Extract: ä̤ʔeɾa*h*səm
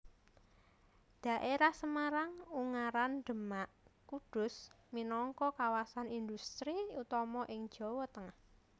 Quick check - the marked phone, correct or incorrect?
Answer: correct